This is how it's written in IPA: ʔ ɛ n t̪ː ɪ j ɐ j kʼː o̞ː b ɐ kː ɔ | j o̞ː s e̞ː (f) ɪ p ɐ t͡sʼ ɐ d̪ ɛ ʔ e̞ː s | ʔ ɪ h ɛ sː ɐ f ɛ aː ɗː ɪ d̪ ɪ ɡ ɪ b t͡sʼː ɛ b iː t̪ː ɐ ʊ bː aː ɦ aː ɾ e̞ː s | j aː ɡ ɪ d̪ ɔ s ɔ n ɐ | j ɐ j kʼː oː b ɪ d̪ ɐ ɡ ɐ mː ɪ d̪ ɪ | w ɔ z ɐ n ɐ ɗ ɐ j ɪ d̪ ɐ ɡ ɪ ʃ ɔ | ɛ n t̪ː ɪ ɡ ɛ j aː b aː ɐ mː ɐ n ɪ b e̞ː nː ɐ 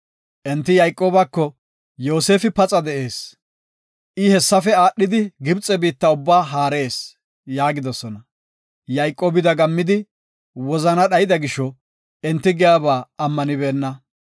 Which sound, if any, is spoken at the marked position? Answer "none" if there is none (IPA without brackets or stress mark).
f